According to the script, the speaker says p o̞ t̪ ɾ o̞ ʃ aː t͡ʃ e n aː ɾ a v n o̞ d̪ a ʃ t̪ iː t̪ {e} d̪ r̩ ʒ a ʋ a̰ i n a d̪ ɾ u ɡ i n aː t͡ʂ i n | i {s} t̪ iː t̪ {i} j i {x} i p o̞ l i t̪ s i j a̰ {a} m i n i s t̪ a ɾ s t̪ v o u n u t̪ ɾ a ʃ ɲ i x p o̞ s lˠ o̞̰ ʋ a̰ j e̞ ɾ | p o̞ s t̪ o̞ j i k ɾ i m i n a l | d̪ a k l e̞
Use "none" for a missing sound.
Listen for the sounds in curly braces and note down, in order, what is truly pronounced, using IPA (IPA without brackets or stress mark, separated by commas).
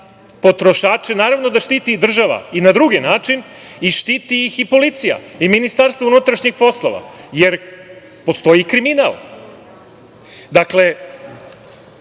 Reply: i, ʃ, i, x, i